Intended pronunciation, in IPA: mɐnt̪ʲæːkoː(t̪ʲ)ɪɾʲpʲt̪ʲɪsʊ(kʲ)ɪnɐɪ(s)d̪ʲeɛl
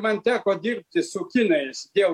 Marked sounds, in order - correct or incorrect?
incorrect, correct, correct

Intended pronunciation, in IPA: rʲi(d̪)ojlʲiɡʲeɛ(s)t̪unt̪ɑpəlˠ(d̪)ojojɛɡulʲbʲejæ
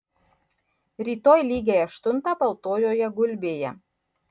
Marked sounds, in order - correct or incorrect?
incorrect, incorrect, incorrect

